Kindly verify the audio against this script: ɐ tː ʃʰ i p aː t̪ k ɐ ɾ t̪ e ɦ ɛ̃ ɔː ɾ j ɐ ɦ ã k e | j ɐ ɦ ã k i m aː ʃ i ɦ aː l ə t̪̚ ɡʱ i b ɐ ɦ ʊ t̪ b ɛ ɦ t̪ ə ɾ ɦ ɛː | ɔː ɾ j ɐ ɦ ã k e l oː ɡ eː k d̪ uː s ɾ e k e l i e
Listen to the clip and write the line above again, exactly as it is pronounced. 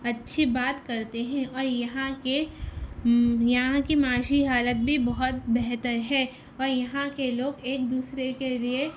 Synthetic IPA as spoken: ɐ tː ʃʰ i b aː t̪ k ɐ ɾ t̪ e ɦ ɛ̃ ɔː ɾ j ɐ ɦ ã k e | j ɐ ɦ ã k i m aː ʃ i ɦ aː l ə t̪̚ bʱ i b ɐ ɦ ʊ t̪ b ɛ ɦ t̪ ə ɾ ɦ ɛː | ɔː ɾ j ɐ ɦ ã k e l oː ɡ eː k d̪ uː s ɾ e k e l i e

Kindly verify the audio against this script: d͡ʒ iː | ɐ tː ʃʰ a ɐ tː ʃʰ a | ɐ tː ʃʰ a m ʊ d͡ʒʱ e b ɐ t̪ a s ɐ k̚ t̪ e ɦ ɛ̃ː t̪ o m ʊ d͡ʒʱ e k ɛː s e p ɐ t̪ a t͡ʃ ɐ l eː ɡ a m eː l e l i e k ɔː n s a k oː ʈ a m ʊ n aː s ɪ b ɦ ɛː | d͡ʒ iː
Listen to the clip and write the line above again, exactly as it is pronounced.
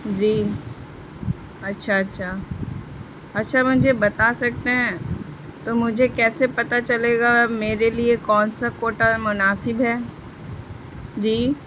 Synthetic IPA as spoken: d͡ʒ iː | ɐ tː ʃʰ a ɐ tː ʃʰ a | ɐ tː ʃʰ a m ʊ d͡ʒʱ e b ɐ t̪ a s ɐ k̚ t̪ e ɦ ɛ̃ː t̪ o m ʊ d͡ʒʱ e k ɛː s e p ɐ t̪ a t͡ʃ ɐ l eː ɡ a m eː ɾ e l i e k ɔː n s a k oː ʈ a m ʊ n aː s ɪ b ɦ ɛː | d͡ʒ iː

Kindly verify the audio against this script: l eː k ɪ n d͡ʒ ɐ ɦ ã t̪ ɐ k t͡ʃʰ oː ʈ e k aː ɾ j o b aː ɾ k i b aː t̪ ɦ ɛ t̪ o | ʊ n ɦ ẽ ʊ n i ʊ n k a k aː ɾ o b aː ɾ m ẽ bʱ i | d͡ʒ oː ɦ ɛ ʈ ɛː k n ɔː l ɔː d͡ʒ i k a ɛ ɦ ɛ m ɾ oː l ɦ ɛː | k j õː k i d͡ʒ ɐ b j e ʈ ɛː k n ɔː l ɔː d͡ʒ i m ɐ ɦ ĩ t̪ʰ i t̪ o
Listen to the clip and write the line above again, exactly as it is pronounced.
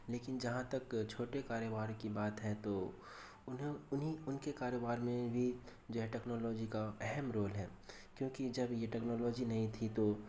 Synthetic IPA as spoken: l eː k ɪ n d͡ʒ ɐ ɦ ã t̪ ɐ k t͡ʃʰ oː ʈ e k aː ɾ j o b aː ɾ k i b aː t̪ ɦ ɛ t̪ o | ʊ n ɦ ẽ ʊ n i ʊ n k e k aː ɾ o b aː ɾ m ẽ bʱ i | d͡ʒ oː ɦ ɛ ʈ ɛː k n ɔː l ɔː d͡ʒ i k a ɛ ɦ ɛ m ɾ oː l ɦ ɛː | k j õː k i d͡ʒ ɐ b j e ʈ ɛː k n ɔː l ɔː d͡ʒ i n ɐ ɦ ĩ t̪ʰ i t̪ o

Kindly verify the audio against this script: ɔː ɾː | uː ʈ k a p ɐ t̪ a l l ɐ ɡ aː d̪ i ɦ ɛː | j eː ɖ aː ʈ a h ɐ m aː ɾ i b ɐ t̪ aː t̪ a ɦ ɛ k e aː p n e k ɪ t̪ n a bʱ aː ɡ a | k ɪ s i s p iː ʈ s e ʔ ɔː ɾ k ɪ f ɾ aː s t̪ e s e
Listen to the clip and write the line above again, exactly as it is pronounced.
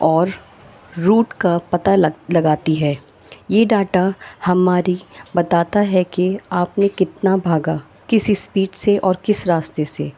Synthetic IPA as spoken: ɔː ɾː | uː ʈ k a p ɐ t̪ a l l ɐ ɡ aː t̪ i ɦ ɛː | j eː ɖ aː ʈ a h ɐ m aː ɾ i b ɐ t̪ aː t̪ a ɦ ɛ k e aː p n e k ɪ t̪ n a bʱ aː ɡ a | k ɪ s i s p iː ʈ s e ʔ ɔː ɾ k ɪ s ɾ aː s t̪ e s e

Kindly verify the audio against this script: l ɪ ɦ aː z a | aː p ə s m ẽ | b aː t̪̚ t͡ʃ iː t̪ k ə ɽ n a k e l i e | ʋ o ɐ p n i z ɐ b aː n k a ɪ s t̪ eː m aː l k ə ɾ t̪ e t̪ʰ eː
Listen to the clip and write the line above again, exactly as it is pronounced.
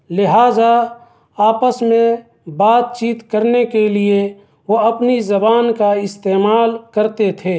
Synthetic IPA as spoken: l ɪ ɦ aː z a | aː p ə s m ẽ | b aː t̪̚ t͡ʃ iː t̪ k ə ɾ n e k e l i e | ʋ o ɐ p n i z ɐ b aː n k a ɪ s t̪ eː m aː l k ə ɾ t̪ e t̪ʰ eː

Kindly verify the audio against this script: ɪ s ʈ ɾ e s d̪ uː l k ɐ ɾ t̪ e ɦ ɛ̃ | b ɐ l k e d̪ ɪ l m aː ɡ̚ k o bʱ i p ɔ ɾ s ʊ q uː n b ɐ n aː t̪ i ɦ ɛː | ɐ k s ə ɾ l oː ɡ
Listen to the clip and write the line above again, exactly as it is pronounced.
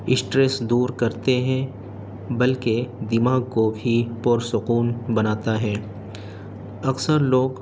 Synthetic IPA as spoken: ɪ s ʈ ɾ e s d̪ uː ɾ k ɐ ɾ t̪ e ɦ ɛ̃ | b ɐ l k e d̪ ɪ m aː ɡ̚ k o bʱ i p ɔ ɾ s ʊ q uː n b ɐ n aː t̪ a ɦ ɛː | ɐ k s ə ɾ l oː ɡ

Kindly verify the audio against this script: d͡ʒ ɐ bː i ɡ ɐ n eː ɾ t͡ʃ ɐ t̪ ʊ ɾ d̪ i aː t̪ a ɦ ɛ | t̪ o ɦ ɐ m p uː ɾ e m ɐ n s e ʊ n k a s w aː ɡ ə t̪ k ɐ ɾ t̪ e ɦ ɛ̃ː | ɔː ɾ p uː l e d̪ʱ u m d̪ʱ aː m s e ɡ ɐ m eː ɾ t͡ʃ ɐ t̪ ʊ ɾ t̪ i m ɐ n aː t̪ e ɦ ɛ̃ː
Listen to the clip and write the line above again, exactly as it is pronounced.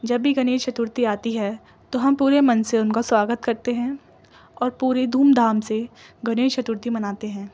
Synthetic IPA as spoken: d͡ʒ ɐ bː i ɡ ɐ n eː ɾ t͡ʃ ɐ t̪ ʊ ɾ t̪ i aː t̪ i ɦ ɛ | t̪ o ɦ ɐ m p uː ɾ e m ɐ n s e ʊ n k a s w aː ɡ ə t̪ k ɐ ɾ t̪ e ɦ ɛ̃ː | ɔː ɾ p uː ɾ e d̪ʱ uː m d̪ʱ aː m s e ɡ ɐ n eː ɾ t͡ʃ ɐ t̪ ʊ ɾ t̪ i m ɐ n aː t̪ e ɦ ɛ̃ː

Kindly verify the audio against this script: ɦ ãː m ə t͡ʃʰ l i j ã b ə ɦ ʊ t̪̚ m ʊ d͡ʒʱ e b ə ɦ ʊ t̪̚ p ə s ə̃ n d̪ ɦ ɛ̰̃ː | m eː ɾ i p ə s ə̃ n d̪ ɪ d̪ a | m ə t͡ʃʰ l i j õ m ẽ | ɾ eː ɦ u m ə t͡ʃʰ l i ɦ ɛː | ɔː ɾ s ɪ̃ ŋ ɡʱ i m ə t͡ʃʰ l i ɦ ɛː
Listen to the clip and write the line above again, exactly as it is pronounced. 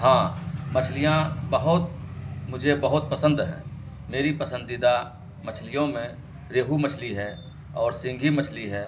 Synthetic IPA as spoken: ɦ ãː m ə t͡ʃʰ l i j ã b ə ɦ ʊ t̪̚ m ʊ d͡ʒʱ e b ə ɦ ʊ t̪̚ p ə s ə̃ n d̪ ɦ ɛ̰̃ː | m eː ɾ i p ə s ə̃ n d̪ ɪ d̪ a | m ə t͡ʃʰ l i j õ m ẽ | ɾ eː ɦ u m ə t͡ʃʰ l i ɦ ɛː | ɔː ɾ s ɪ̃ ŋ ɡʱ i m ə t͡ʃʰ l i ɦ ɛː

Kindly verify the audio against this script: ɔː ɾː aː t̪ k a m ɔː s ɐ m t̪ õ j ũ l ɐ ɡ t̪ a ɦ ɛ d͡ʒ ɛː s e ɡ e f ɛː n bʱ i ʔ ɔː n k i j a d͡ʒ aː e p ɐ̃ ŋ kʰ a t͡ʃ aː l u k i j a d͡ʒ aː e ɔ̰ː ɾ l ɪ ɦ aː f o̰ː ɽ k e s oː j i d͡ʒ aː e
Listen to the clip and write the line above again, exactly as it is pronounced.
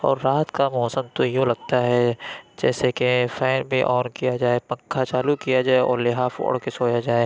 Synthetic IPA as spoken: ɔː ɾː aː t̪ k a m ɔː s ə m t̪ o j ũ l ɐ ɡ t̪ a ɦ ɛ d͡ʒ ɛː s e k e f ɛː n bʱ i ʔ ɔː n k i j a d͡ʒ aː e p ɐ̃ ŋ kʰ a t͡ʃ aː l u k i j a d͡ʒ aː e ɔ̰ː ɾ l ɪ ɦ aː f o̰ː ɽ k e s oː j a d͡ʒ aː e

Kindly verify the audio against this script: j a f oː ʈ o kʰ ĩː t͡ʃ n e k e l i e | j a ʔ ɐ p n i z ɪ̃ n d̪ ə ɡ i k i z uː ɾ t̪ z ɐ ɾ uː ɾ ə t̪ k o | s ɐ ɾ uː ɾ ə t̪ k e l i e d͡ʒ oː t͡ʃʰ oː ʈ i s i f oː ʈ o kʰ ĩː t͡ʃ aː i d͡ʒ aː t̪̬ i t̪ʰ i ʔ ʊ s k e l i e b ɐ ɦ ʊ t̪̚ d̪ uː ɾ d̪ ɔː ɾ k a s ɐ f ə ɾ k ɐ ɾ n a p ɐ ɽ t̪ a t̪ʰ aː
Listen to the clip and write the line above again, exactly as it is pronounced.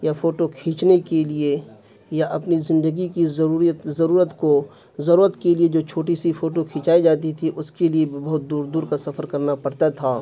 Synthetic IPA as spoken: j a f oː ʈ o kʰ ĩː t͡ʃ n e k e l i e | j a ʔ ɐ p n i z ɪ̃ n d̪ ə ɡ i k i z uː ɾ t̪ z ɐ ɾ uː ɾ ə t̪ k o | z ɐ ɾ uː ɾ ə t̪ k e l i e d͡ʒ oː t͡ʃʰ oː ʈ i s i f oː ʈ o kʰ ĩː t͡ʃ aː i d͡ʒ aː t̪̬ i t̪ʰ i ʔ ʊ s k e l i e b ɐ ɦ ʊ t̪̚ d̪ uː ɾ d̪ uː ɾ k a s ɐ f ə ɾ k ɐ ɾ n a p ɐ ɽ t̪ a t̪ʰ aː

